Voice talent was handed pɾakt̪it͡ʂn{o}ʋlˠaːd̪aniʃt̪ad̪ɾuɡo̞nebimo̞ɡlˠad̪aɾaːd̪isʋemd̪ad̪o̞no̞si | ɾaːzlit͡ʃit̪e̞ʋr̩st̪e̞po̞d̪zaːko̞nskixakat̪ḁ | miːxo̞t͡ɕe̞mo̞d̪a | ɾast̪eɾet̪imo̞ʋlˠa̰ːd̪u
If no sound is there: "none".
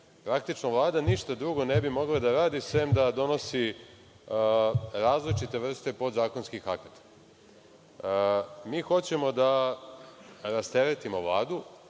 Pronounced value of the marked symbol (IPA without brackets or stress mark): o